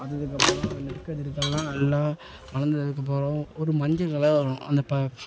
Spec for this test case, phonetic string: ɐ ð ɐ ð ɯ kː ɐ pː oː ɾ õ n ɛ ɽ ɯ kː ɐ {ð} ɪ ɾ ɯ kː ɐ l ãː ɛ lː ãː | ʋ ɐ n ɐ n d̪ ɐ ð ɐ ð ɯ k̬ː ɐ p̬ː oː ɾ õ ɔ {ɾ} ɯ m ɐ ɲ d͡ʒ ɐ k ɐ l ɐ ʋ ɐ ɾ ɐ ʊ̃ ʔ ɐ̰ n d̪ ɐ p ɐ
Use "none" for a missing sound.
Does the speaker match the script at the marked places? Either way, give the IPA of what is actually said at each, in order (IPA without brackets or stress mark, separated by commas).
ð, ɾ